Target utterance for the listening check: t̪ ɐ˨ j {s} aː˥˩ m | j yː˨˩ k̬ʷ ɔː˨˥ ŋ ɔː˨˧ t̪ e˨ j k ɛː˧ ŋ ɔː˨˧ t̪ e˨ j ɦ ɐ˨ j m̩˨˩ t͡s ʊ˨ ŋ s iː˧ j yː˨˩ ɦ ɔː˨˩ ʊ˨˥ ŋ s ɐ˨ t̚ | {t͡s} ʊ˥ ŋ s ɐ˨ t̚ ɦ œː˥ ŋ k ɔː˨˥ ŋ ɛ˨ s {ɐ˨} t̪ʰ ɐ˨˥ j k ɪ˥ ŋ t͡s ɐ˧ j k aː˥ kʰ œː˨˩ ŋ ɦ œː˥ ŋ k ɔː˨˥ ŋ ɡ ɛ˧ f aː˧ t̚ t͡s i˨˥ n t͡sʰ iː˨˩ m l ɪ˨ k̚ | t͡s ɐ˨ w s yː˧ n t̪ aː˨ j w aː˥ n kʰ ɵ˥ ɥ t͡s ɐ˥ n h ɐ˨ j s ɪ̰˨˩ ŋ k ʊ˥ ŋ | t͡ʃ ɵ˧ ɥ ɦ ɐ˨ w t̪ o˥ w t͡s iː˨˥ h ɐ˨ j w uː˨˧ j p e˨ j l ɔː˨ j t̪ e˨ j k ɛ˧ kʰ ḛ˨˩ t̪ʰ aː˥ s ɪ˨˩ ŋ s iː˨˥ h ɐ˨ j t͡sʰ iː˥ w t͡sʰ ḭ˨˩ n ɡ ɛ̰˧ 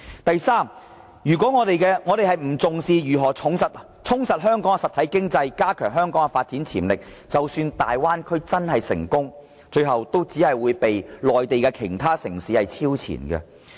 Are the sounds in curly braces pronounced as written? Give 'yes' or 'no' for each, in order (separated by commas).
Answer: yes, no, yes